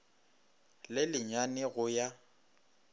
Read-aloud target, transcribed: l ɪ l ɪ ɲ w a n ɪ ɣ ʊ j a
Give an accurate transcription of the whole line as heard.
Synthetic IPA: l ɪ l ɪ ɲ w a n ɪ ɣ ʊ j a